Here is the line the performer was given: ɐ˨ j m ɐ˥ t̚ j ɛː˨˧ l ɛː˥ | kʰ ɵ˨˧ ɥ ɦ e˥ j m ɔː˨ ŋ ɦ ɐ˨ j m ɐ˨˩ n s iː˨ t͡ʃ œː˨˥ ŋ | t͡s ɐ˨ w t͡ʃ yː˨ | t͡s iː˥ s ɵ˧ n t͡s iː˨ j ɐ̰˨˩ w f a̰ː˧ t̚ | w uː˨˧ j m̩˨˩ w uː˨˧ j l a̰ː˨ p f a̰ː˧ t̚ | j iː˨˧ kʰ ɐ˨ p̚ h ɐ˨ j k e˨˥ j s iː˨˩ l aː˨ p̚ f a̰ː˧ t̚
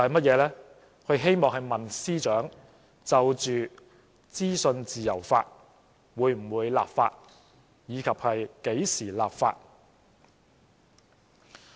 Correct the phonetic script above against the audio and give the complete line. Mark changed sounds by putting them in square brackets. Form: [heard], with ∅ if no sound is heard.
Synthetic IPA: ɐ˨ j m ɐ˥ t̚ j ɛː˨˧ l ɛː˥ | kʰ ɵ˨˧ ɥ ɦ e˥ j m ɔː˨ ŋ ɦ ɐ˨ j m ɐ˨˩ n s [iː˥] t͡ʃ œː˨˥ ŋ | t͡s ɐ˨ w t͡ʃ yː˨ | t͡s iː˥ s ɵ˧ n t͡s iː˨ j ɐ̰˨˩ w f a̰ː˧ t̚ | w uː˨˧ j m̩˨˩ w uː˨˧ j l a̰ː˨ p f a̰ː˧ t̚ | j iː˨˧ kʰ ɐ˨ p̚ h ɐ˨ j k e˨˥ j s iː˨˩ l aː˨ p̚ f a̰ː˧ t̚